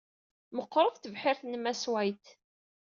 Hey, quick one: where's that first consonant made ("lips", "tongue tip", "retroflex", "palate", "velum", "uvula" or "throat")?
lips